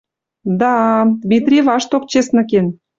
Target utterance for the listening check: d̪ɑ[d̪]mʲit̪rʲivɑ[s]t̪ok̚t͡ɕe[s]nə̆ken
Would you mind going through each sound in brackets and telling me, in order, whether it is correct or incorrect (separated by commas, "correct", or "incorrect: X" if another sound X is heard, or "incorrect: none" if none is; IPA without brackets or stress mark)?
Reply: correct, incorrect: ʃ, correct